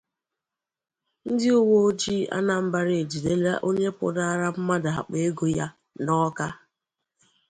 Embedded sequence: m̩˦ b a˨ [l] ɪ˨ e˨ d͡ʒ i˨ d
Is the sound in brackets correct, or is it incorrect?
incorrect